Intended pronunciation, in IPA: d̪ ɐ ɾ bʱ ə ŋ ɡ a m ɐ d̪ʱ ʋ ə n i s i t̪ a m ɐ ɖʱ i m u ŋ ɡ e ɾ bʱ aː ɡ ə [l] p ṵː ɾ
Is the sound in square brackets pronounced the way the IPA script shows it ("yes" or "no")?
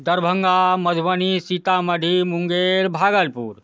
yes